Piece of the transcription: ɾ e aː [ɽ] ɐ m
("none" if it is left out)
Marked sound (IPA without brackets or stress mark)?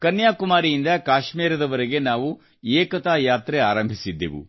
ɾ